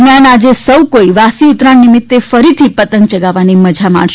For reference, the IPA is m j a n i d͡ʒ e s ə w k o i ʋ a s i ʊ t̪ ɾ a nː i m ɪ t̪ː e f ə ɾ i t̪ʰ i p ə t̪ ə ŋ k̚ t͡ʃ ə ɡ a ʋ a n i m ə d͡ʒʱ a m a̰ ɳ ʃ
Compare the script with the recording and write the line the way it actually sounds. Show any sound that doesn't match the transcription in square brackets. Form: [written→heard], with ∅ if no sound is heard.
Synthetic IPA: m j a n [i→a] d͡ʒ e s ə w k o i ʋ a s i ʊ t̪ ɾ a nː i m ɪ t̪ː e f ə ɾ i t̪ʰ i p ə t̪ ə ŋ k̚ t͡ʃ ə ɡ a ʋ a n i m ə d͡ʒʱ a m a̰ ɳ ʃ